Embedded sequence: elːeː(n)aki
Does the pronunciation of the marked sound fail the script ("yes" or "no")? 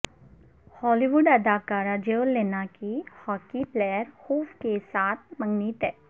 no